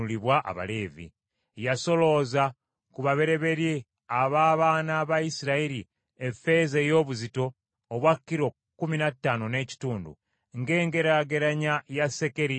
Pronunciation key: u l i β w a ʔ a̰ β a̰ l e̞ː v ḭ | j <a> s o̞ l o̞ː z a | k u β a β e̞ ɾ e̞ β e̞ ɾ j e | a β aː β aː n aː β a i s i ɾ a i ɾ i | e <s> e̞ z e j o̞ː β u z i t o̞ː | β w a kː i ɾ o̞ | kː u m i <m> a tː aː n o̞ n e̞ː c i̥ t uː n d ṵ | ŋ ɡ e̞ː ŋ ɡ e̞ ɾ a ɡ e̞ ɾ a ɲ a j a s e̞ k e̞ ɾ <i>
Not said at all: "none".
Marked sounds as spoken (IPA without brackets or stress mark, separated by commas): a, f, n, i